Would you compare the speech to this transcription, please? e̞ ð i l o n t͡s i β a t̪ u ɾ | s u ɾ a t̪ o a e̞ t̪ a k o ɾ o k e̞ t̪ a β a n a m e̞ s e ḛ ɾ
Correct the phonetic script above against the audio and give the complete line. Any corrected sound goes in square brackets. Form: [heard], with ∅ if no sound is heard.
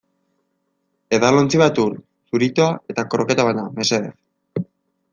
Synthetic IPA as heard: e̞ ð [a] l o n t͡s i β a t̪ u ɾ | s u ɾ [i] t̪ o a e̞ t̪ a k o ɾ o k e̞ t̪ a β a n a m e̞ s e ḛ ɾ